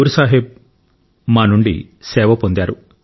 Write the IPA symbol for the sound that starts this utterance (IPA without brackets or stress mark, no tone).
ɾ